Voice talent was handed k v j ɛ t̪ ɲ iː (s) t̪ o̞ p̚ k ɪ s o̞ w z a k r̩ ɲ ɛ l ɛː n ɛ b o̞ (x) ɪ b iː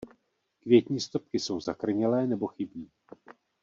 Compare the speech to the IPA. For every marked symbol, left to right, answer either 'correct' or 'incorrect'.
correct, correct

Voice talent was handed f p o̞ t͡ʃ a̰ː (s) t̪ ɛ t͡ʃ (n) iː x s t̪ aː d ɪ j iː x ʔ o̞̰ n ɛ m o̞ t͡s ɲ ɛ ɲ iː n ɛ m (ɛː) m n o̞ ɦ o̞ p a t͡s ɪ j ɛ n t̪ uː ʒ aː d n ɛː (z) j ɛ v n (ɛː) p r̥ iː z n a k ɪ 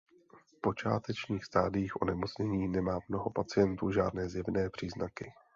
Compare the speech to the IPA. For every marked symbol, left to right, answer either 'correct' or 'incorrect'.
incorrect, incorrect, incorrect, correct, correct

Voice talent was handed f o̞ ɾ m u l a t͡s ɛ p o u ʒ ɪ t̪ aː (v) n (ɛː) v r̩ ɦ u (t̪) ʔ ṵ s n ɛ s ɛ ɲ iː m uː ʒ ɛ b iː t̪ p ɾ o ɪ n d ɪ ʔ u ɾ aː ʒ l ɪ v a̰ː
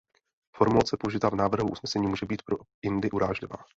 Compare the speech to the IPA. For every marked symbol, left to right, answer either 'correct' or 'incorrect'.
correct, incorrect, incorrect

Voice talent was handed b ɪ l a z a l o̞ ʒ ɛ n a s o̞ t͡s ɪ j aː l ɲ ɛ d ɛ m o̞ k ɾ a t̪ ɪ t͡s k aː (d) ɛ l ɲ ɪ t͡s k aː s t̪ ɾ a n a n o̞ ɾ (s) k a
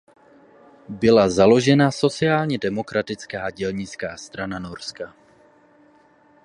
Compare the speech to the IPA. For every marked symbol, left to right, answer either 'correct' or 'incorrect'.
incorrect, correct

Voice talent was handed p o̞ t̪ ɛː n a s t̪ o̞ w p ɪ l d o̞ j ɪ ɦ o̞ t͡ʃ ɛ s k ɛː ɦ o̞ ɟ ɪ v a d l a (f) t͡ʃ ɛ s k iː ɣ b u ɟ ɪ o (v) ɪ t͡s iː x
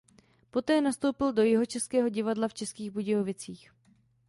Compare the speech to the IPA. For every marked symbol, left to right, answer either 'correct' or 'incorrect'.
correct, correct

